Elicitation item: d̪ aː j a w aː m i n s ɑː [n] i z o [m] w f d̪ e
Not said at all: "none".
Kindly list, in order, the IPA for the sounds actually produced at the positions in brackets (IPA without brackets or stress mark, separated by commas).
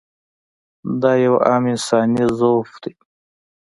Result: n, none